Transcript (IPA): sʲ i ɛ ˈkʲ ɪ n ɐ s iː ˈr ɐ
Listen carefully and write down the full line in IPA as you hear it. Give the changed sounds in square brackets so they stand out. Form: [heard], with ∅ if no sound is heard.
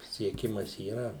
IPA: sʲ i ɛ ˈkʲ ɪ [m] ɐ s iː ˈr ɐ